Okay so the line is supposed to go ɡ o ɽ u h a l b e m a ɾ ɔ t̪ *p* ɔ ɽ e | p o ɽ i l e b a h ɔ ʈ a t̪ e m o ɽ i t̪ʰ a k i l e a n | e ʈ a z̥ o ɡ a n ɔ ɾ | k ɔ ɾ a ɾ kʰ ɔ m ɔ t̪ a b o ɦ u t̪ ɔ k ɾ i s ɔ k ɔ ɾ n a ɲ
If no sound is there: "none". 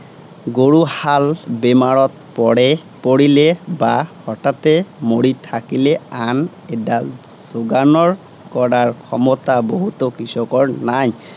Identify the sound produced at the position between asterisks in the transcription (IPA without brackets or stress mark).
p